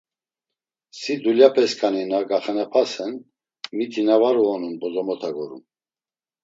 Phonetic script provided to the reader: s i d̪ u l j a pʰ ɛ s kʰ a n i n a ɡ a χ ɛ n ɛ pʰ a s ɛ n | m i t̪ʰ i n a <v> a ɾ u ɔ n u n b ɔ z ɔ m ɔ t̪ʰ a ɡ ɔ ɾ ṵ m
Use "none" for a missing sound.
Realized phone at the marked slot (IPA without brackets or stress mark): v